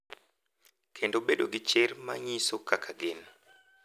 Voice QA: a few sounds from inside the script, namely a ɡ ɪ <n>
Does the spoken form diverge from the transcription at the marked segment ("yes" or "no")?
no